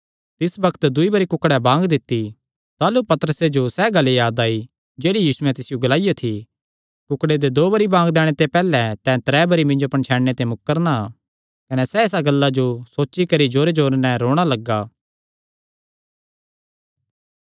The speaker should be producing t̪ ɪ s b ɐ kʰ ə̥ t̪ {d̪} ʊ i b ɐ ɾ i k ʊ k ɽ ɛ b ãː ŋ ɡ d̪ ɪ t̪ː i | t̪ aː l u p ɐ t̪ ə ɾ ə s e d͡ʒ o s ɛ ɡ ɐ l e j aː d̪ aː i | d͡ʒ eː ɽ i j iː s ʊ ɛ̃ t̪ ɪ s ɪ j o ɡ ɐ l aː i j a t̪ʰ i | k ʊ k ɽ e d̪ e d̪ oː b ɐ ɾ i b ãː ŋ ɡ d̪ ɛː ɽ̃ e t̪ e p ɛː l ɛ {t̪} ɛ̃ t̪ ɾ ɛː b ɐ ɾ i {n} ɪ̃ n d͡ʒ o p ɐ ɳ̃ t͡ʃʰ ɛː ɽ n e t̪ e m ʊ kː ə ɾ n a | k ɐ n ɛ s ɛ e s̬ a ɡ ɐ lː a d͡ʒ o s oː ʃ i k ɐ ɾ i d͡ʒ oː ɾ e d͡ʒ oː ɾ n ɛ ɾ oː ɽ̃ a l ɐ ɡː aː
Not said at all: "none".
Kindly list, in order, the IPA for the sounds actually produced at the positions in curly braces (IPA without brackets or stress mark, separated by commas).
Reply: d̪, t̪, m